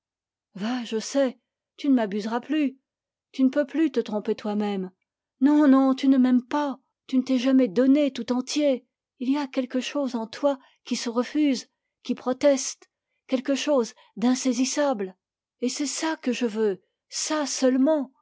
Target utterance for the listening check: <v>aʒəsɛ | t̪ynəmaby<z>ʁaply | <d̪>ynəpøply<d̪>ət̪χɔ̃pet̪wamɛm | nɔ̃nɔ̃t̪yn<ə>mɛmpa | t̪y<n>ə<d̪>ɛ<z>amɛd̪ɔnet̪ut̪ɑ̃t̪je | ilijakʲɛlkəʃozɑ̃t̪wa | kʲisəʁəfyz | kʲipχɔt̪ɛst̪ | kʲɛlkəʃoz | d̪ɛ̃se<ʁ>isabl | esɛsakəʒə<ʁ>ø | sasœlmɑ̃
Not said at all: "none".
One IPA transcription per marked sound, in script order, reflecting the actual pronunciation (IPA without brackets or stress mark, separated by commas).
v, z, t̪, t̪, ə, n, t̪, ʒ, z, v